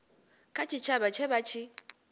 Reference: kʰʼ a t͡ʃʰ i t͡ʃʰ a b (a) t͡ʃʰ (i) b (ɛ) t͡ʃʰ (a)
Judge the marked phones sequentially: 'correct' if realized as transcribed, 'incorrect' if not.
correct, incorrect: ɛ, incorrect: a, incorrect: i

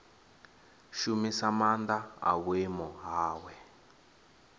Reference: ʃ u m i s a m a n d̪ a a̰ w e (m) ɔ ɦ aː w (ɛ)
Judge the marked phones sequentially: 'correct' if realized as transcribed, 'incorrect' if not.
correct, correct

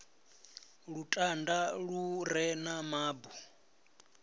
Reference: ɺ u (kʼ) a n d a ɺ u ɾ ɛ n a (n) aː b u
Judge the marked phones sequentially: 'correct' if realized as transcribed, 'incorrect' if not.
incorrect: tʼ, incorrect: m

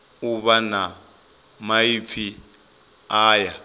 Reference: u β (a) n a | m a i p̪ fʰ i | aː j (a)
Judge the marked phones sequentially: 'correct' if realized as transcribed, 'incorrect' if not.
correct, correct

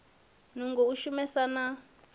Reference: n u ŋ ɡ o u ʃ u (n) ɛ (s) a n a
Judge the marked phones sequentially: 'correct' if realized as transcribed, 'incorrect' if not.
incorrect: m, correct

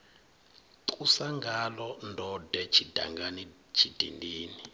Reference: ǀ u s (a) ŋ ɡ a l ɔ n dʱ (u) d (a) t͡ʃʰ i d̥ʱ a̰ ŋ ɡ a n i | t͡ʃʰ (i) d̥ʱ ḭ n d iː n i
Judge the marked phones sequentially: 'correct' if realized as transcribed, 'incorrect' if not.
correct, incorrect: ɔ, incorrect: ɛ, correct

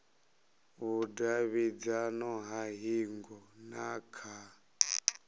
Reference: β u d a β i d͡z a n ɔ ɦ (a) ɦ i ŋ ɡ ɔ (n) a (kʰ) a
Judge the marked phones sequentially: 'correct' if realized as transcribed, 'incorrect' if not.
correct, correct, correct

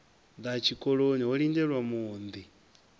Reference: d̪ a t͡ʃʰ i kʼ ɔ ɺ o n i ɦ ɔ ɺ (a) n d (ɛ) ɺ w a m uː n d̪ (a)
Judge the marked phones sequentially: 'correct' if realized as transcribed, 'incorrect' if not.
incorrect: i, correct, incorrect: i

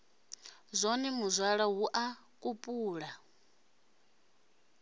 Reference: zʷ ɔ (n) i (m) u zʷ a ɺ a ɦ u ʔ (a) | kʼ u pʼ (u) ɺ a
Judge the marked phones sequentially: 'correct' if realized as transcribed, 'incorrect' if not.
correct, correct, correct, incorrect: uː

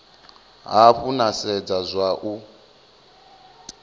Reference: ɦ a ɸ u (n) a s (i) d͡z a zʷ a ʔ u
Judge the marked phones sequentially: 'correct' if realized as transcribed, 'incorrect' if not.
correct, incorrect: ɛ

